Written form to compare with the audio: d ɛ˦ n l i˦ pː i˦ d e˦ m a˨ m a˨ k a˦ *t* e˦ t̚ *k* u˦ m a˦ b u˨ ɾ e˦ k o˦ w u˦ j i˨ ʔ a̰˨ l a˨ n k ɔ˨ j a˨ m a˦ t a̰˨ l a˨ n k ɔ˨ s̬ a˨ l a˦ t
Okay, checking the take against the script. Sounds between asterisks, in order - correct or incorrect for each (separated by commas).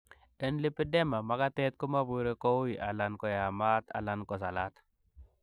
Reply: correct, correct